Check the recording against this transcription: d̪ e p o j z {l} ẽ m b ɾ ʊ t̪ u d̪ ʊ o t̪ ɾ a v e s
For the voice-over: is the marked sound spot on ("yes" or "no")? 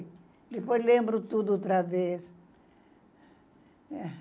yes